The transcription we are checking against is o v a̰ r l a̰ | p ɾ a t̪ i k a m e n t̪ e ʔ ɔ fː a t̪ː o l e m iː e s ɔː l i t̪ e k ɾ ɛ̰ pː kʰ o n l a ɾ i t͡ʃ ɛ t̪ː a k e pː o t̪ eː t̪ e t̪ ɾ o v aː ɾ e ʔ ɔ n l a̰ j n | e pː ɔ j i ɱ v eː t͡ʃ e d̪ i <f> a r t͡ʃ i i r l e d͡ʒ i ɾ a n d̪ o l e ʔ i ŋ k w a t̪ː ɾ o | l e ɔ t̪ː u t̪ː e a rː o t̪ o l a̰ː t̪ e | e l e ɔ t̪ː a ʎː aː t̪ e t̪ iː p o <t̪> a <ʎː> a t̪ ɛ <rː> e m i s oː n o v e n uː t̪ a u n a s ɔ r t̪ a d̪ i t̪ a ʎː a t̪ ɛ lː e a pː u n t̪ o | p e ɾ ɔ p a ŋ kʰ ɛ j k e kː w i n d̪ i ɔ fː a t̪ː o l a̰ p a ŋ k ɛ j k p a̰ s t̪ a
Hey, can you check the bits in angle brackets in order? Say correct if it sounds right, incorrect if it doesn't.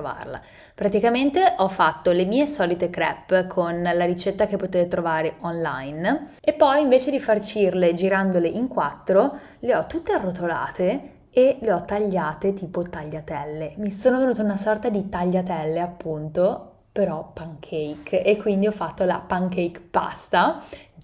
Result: correct, correct, correct, incorrect: lː

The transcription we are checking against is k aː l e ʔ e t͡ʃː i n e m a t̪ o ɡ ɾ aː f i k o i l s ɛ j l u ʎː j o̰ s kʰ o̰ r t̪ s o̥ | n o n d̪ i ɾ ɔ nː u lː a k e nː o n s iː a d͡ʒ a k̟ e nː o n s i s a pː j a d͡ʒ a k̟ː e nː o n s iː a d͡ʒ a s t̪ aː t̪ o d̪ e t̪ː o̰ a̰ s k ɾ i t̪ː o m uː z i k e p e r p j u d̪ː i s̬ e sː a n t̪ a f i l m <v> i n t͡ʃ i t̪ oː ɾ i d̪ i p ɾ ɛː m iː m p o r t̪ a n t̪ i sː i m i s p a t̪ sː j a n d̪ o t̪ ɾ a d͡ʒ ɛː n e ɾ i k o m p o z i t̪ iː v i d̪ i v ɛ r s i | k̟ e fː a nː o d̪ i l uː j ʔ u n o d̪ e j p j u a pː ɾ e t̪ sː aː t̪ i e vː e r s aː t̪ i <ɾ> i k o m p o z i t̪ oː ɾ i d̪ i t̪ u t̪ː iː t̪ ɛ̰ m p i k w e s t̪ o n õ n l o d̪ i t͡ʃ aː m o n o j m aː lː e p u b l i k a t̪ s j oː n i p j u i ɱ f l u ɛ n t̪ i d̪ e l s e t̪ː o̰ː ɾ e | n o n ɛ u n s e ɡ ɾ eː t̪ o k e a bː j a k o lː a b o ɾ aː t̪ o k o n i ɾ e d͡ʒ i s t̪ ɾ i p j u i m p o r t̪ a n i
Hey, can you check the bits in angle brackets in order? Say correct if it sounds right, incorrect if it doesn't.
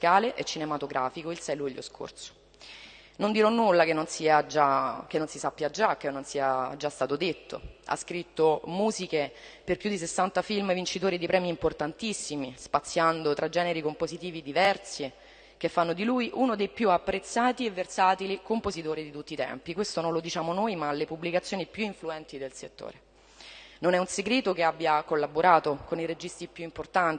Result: correct, incorrect: l

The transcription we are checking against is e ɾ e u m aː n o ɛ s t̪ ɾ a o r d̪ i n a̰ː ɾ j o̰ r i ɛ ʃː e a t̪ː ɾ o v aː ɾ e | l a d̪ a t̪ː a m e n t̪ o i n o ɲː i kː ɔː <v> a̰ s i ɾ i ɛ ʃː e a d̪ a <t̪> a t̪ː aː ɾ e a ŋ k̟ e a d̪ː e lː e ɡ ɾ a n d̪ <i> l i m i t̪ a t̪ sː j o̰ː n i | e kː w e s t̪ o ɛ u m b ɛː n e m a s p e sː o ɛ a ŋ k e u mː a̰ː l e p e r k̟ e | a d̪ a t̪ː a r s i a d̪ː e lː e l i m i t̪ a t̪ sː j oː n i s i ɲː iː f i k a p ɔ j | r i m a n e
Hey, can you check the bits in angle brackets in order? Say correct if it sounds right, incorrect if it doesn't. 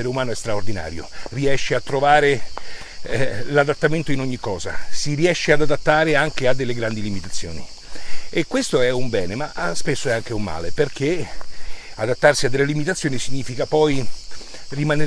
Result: incorrect: z, incorrect: d̪, correct

